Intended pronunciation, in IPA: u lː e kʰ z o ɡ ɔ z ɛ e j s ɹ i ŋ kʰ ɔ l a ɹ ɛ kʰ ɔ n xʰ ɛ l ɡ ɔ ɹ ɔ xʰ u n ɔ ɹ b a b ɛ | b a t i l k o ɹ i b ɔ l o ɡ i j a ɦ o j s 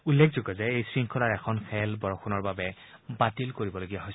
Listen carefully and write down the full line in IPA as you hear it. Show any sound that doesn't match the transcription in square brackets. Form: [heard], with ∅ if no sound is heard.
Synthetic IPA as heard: u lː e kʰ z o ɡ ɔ z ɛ e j s ɹ i ŋ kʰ ɔ l a ɹ ɛ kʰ ɔ n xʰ ɛ l [b] ɔ ɹ ɔ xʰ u n ɔ ɹ b a b ɛ | b a t i l k o ɹ i b ɔ l o ɡ i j a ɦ o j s